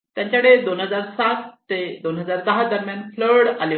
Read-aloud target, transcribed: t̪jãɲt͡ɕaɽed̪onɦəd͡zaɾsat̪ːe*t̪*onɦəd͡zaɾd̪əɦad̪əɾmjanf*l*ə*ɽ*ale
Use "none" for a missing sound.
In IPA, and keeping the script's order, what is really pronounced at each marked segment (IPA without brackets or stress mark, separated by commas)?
d̪, l, ɽ